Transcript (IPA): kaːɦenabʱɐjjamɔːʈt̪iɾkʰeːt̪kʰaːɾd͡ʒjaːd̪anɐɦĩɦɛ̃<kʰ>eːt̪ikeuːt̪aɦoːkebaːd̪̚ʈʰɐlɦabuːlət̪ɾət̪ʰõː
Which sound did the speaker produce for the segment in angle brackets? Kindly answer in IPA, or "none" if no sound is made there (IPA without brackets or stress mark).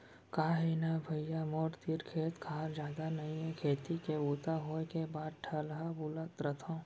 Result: kʰ